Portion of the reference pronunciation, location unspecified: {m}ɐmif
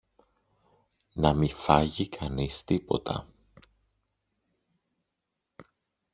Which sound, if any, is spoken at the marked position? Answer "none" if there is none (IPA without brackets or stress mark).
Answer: n